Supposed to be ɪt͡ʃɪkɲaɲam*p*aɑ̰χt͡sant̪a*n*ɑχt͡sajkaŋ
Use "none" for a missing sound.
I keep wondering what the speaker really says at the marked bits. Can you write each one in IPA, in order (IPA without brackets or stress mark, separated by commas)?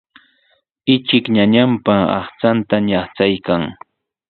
p, ɲ